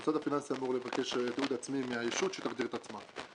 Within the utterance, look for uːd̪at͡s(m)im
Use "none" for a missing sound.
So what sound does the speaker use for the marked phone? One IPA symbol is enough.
m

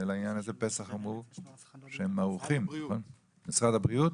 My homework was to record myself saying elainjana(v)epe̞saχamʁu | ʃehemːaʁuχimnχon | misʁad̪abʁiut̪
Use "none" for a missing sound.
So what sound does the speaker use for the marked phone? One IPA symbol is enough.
z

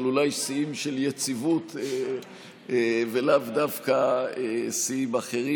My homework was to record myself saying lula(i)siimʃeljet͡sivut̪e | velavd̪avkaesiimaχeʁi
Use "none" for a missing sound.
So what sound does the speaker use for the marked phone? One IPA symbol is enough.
j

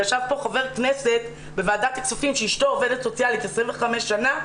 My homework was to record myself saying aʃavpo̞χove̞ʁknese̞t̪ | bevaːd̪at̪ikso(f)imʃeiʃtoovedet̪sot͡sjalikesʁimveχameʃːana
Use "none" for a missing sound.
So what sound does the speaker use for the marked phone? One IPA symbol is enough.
f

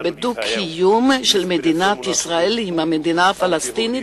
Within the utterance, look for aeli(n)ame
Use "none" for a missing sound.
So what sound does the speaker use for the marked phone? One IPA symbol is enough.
m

